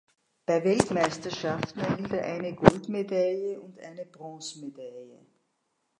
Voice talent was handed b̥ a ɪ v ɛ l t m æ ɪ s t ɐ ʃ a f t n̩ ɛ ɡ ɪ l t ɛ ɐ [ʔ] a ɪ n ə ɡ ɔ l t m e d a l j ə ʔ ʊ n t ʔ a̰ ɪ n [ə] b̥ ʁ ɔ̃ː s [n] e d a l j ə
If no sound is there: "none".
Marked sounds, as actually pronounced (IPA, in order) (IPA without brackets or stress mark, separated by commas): ʔ, ə, m